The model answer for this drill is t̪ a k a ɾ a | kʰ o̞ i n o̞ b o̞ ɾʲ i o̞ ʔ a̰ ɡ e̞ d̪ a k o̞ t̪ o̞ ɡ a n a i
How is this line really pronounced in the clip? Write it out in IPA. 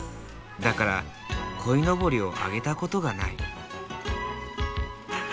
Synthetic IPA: d̪ a k a ɾ a | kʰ o̞ i n o̞ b o̞ ɾʲ i o̞ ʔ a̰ ɡ e̞ t̪ a k o̞ t̪ o̞ ɡ a n a i

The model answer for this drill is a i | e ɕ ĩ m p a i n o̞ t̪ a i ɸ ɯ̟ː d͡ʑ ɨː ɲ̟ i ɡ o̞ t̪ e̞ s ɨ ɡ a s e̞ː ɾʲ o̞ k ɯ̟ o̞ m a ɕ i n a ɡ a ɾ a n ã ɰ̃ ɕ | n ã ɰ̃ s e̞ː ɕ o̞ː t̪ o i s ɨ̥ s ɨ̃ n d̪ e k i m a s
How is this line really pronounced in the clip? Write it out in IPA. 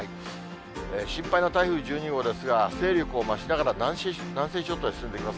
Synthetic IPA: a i | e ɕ ĩ m p a i n o̞ t̪ a i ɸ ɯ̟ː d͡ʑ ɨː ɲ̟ i ɡ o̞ d̪ e̞ s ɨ ɡ a s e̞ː ɾʲ o̞ k ɯ̟ o̞ m a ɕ i n a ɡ a ɾ a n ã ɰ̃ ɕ | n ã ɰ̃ s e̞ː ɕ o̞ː t̪ o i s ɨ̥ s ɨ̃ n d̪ e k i m a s

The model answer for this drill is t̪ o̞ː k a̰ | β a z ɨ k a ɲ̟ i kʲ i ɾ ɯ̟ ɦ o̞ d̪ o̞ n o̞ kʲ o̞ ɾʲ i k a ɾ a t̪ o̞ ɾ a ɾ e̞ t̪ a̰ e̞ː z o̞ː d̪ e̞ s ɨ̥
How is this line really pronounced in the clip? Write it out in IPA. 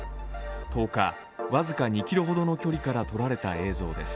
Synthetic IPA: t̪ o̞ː k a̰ | β a z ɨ k a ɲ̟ i kʲ i ɾ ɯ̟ ɦ o̞ d̪ o̞ n o̞ kʲ o̞ ɾʲ i k a ɾ a t̪ o̞ ɾ a ɾ e̞ t̪ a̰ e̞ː z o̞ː d̪ e̞ s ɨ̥

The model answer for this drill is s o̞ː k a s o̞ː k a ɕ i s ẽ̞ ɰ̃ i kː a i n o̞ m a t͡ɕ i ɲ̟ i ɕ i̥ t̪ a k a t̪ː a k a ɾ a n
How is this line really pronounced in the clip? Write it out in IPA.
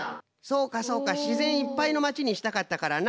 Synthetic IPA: s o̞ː k a s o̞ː k a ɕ i z ẽ̞ ɰ̃ i pː a i n o̞ m a t͡ɕ i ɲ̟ i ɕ i̥ t̪ a k a t̪ː a k a ɾ a n

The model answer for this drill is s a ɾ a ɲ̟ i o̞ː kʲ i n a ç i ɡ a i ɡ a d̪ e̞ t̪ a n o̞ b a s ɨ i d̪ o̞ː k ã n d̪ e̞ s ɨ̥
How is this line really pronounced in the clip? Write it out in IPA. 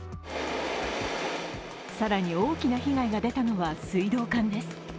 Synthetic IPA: s a ɾ a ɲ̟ i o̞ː kʲ i n a ç i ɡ a i ɡ a d̪ e̞ t̪ a n o̞ β a s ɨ i d̪ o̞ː k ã n d̪ e̞ s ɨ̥

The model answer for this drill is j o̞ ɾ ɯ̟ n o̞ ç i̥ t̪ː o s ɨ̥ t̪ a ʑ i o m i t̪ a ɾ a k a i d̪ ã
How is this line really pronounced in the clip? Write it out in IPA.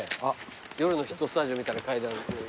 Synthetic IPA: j o̞ ɾ ɯ̟ n o̞ ç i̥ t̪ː o s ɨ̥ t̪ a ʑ i o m i t̪ a ɾ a k a i d̪ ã

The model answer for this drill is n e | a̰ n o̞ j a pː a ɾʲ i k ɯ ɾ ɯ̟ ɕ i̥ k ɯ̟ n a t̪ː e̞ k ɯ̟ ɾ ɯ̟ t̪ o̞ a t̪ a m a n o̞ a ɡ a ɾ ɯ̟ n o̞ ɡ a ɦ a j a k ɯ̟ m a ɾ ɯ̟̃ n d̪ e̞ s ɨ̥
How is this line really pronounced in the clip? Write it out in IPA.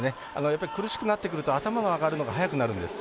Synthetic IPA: n e | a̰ n o̞ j a pː a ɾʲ i k ɯ ɾ ɯ̟ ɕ i̥ k ɯ̟ n a t̪ː e̞ k ɯ̟ ɾ ɯ̟ t̪ o̞ a t̪ a m a n o̞ a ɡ a ɾ ɯ̟ n o̞ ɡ a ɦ a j a k ɯ̟ n a ɾ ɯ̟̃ n d̪ e̞ s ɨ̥

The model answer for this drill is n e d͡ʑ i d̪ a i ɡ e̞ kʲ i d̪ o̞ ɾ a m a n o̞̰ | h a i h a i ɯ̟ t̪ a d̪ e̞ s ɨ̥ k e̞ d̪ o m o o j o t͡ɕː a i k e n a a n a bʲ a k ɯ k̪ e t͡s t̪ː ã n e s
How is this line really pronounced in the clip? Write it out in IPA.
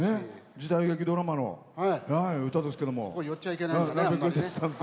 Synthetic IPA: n e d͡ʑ i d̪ a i ɡ e̞ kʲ i d̪ o̞ ɾ a m a n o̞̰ | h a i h a i ɯ̟ t̪ a d̪ e̞ s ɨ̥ k e̞ d̪ o m o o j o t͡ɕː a i k e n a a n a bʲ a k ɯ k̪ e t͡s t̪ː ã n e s

